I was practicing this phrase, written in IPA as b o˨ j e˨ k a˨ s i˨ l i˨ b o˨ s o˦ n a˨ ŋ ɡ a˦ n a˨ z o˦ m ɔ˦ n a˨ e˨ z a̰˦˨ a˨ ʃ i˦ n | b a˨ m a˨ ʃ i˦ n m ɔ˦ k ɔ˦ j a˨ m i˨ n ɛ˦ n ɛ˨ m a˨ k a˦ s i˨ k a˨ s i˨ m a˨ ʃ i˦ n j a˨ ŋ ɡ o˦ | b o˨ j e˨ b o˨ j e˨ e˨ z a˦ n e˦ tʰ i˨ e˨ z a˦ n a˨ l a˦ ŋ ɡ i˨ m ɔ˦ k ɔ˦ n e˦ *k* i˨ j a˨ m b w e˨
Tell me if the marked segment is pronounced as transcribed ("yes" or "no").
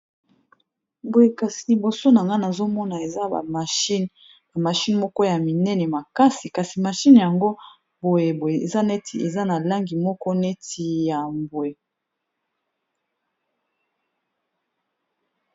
no